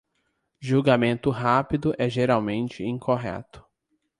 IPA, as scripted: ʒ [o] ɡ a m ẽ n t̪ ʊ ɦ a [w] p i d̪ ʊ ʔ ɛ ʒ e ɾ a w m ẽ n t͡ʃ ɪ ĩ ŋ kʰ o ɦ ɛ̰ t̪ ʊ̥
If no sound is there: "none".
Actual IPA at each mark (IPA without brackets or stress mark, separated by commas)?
u, none